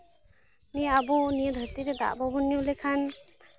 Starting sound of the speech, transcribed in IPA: n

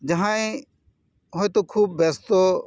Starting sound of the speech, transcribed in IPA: d͡ʒ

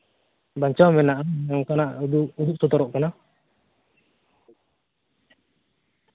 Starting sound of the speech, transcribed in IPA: b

